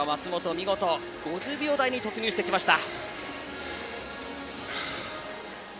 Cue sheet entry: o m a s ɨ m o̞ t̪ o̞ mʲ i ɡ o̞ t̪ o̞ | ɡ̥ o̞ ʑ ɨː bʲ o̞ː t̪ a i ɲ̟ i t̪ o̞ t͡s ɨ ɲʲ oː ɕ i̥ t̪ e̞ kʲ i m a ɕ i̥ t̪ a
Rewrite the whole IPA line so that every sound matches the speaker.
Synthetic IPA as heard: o m a t͡s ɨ m o̞ t̪ o̞ mʲ i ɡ o̞ t̪ o̞ | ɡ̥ o̞ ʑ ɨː bʲ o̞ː d̪ a i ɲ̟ i t̪ o̞ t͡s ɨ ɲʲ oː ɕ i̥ t̪ e̞ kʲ i m a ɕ i̥ t̪ a